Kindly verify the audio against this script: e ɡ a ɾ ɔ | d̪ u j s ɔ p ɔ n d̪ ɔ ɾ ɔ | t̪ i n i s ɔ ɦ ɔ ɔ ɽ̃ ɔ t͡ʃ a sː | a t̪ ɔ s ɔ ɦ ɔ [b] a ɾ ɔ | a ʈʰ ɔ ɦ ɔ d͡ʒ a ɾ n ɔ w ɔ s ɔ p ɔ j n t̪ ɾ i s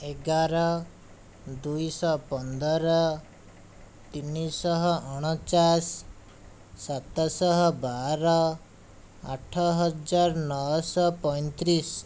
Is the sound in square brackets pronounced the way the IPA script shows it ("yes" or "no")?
yes